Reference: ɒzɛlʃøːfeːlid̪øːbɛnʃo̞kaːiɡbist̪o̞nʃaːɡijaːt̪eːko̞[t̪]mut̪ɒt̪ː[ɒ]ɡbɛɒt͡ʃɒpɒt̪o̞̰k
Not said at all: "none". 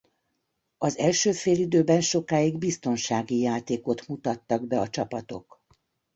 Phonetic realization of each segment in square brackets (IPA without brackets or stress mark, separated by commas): t̪, ɒ